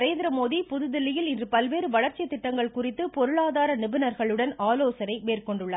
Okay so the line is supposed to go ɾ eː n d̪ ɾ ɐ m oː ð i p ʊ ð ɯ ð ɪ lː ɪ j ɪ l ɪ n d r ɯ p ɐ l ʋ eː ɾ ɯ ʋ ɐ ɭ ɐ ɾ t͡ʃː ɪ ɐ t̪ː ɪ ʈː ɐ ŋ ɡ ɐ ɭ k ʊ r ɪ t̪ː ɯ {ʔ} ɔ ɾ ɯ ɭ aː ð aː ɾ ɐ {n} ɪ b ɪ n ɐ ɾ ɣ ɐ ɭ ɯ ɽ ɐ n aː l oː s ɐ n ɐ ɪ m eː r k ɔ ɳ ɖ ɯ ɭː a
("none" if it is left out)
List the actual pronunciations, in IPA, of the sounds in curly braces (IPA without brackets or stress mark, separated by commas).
p, n